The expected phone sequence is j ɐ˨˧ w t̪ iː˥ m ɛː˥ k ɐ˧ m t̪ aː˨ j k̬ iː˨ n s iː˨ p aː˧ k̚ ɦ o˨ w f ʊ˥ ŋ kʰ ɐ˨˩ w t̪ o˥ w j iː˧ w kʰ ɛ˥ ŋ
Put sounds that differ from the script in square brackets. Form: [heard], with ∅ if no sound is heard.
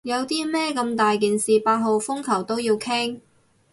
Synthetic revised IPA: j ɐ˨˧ w t̪ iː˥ m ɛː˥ k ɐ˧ m t̪ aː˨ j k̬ iː˨ n s iː˨ p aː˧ [t̚] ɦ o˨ w f ʊ˥ ŋ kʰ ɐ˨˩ w t̪ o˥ w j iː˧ w kʰ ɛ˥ ŋ